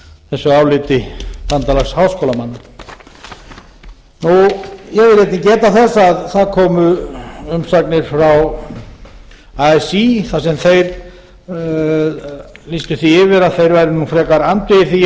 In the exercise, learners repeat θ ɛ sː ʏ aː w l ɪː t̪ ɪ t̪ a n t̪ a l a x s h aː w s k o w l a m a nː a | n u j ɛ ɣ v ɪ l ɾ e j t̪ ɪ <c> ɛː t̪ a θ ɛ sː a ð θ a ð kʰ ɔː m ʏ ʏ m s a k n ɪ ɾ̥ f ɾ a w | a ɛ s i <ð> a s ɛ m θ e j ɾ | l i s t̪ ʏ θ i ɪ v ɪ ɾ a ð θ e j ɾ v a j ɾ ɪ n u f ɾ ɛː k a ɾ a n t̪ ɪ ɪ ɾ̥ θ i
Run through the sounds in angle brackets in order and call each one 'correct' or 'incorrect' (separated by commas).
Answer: correct, incorrect